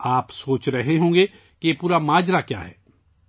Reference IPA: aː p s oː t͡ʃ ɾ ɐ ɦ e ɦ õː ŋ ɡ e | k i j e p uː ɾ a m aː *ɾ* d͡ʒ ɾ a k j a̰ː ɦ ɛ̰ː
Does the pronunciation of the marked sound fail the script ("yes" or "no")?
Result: yes